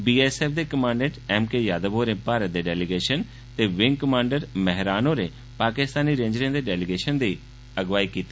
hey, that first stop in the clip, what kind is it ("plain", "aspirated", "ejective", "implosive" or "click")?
plain